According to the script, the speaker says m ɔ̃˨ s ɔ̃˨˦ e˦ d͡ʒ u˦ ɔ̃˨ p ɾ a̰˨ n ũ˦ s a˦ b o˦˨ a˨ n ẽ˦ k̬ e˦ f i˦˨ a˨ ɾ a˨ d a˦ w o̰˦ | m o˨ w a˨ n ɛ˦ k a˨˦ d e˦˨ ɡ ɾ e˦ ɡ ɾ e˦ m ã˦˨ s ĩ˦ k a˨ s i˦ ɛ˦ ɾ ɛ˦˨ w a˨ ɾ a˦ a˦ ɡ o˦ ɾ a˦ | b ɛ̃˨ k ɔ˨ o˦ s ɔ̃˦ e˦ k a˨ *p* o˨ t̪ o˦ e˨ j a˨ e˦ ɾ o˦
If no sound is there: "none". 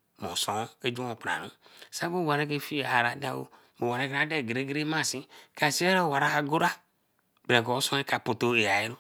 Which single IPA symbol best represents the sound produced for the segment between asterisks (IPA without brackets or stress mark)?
p